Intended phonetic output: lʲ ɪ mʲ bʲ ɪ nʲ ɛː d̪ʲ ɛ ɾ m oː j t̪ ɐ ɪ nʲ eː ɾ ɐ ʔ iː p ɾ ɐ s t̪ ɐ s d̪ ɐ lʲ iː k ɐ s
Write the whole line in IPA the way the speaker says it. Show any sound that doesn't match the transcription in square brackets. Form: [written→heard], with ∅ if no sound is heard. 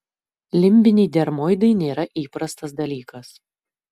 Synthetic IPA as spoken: lʲ ɪ mʲ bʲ ɪ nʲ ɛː d̪ʲ ɛ ɾ m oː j [t̪→d̪] ɐ ɪ nʲ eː ɾ ɐ ʔ iː p ɾ ɐ s t̪ ɐ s d̪ ɐ lʲ iː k ɐ s